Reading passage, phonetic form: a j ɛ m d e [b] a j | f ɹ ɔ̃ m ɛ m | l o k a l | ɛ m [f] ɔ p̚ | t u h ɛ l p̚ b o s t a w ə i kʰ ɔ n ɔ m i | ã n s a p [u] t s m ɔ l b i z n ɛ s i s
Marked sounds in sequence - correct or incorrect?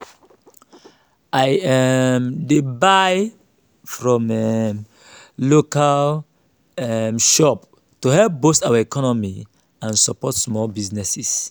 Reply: correct, incorrect: ʃ, incorrect: ɔ

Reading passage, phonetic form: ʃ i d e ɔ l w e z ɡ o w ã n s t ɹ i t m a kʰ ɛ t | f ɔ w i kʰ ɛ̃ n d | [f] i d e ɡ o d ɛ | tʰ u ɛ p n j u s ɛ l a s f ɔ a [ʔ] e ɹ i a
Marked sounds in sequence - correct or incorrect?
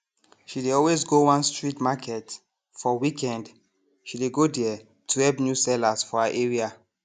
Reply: incorrect: ʃ, correct

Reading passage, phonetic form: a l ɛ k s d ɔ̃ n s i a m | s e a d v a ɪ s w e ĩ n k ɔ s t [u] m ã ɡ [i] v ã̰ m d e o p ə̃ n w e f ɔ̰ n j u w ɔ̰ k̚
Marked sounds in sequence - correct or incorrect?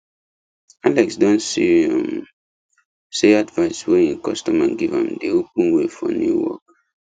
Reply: incorrect: ɔ, correct

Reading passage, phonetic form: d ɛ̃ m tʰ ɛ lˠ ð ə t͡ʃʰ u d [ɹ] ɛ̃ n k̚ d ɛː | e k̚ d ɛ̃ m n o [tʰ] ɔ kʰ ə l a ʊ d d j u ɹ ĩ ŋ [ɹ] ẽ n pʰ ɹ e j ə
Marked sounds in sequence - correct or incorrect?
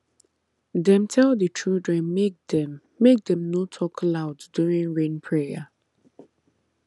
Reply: correct, correct, correct

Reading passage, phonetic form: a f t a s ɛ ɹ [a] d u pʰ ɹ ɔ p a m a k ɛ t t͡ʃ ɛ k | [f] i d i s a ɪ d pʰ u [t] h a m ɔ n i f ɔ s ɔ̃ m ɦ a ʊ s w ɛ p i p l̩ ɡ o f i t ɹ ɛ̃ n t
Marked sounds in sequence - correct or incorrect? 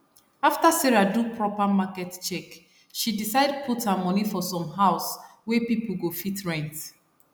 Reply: correct, incorrect: ʃ, correct

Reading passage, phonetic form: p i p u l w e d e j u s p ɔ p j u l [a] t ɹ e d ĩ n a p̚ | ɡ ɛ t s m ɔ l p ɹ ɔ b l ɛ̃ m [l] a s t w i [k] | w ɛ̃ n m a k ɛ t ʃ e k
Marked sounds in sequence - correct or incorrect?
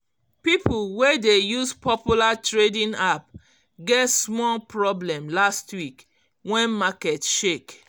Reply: correct, correct, correct

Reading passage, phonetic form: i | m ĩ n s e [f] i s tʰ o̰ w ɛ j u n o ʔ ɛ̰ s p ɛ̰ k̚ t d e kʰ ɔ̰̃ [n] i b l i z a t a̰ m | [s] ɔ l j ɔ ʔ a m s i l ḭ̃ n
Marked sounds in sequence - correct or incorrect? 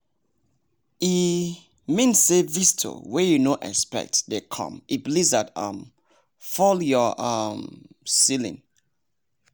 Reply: incorrect: v, incorrect: m, incorrect: f

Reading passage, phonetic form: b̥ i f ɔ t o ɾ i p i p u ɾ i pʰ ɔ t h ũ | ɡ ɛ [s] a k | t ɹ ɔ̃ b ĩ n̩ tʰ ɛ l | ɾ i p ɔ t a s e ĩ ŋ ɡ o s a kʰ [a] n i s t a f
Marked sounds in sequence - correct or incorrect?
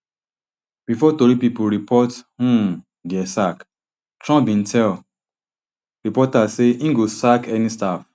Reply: correct, incorrect: ɛ

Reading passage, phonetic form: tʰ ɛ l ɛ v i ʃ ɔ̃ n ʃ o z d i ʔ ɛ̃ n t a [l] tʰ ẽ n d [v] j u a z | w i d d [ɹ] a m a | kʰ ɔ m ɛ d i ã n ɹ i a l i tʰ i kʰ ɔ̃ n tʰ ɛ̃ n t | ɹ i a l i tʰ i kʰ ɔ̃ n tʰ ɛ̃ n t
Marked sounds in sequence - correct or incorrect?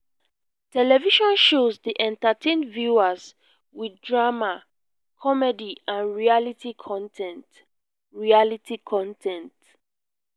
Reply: incorrect: none, correct, correct

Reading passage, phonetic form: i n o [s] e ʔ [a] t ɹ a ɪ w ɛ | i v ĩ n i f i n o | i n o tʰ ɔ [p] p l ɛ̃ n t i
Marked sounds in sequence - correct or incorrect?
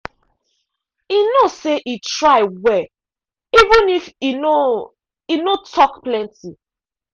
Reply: correct, incorrect: i, incorrect: k

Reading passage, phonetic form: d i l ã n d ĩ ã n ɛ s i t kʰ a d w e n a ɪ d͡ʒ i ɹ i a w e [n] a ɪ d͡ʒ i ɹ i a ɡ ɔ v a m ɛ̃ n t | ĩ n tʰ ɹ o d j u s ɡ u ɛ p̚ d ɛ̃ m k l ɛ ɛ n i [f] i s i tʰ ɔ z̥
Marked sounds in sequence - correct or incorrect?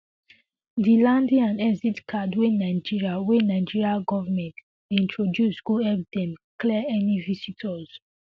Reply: correct, incorrect: v

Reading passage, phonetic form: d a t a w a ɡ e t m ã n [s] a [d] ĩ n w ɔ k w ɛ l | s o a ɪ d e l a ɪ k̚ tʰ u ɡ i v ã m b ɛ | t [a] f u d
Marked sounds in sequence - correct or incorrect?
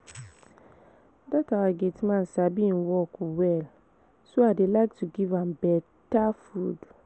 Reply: correct, incorrect: b, correct

